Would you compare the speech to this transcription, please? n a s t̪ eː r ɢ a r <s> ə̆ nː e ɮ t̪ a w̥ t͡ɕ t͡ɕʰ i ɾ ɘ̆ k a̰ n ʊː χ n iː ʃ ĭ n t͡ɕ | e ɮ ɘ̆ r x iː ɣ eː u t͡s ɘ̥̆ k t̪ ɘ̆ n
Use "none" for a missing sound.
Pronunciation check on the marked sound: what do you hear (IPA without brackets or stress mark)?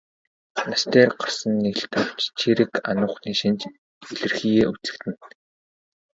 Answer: s